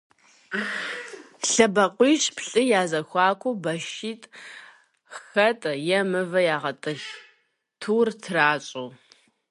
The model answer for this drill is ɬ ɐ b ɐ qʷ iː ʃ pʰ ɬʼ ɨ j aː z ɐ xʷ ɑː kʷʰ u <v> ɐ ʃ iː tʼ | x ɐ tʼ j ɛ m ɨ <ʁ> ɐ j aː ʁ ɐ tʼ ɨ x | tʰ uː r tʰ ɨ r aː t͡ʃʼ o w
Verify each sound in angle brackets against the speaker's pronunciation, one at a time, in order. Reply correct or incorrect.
incorrect: b, incorrect: v

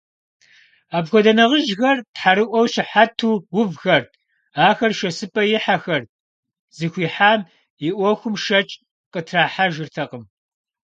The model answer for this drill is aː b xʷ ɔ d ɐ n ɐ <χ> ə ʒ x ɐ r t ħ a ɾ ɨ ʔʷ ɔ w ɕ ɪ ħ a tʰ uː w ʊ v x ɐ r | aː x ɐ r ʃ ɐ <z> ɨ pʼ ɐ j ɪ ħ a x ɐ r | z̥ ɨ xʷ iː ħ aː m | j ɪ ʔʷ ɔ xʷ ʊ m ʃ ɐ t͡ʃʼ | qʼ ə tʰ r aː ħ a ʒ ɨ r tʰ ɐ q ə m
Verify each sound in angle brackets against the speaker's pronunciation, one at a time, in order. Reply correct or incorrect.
incorrect: ʁ, incorrect: s

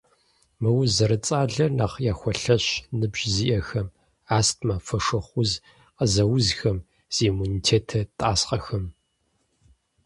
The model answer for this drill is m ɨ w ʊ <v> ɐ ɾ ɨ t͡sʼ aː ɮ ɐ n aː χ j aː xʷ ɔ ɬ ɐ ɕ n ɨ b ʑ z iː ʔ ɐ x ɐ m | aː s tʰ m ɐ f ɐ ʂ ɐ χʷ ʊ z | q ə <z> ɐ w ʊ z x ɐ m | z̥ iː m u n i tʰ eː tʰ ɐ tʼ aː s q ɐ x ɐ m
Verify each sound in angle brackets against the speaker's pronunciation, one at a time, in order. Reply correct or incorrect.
incorrect: z, correct

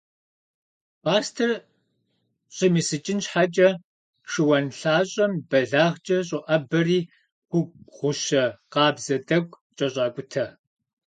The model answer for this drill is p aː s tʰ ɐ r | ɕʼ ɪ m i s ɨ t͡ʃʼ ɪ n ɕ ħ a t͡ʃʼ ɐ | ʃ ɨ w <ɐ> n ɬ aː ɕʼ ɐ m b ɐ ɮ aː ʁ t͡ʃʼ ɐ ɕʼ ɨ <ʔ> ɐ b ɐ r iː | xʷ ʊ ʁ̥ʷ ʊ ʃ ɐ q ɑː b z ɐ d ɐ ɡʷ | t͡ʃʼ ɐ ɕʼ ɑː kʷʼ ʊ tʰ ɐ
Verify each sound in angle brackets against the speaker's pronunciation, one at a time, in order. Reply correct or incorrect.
correct, correct

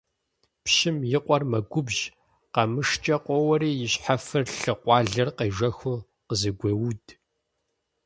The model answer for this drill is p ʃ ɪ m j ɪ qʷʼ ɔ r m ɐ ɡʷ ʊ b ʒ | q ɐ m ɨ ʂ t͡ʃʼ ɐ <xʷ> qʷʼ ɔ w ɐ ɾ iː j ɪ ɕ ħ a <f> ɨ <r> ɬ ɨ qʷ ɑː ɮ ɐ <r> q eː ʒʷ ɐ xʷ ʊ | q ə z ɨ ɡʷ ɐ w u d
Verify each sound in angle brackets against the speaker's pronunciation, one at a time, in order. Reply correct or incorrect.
incorrect: none, correct, correct, correct

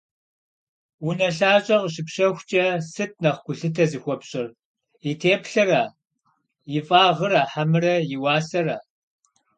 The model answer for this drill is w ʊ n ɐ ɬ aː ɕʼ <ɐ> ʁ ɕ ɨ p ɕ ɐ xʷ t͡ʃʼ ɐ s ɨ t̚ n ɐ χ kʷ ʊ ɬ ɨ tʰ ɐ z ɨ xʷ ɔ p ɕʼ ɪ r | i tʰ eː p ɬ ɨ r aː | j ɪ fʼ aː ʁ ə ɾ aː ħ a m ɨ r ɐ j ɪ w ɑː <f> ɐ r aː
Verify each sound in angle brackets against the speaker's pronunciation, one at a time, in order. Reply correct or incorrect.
correct, incorrect: s

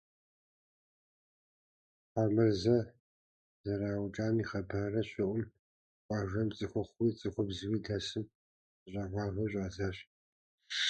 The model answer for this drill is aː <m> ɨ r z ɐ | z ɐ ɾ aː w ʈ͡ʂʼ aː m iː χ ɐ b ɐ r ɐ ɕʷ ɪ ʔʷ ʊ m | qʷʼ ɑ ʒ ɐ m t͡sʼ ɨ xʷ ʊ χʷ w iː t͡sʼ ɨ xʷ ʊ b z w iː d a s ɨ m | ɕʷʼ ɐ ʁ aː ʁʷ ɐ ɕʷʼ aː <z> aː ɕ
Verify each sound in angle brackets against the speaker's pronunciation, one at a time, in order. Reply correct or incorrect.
correct, correct

